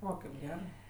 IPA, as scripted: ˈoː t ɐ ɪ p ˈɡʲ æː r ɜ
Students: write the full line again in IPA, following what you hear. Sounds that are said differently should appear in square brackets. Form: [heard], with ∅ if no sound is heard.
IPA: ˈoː [k] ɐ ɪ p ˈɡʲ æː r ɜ